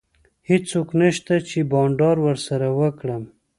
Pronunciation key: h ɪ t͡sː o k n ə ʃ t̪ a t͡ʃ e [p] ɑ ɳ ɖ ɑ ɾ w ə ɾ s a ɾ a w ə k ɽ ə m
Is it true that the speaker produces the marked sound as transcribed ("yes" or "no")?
no